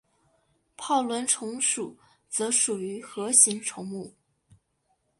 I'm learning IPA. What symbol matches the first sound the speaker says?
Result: pʰ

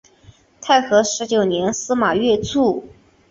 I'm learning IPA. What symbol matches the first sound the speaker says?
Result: t̪ʰ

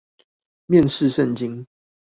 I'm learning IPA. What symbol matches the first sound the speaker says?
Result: m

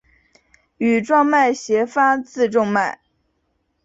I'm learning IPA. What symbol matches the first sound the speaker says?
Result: y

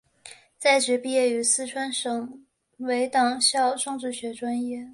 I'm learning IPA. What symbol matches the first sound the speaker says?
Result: t͡s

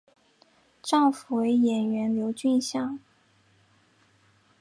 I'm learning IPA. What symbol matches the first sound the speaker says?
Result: ʈ͡ʂ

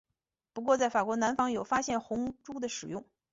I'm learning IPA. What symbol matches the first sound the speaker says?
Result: p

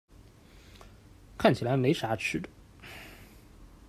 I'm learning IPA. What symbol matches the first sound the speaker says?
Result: kʰ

